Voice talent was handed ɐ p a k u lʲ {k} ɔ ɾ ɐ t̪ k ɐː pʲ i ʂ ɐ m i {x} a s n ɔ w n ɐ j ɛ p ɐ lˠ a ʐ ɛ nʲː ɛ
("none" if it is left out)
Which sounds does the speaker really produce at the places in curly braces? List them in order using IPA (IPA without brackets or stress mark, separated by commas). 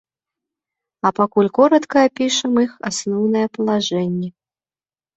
k, x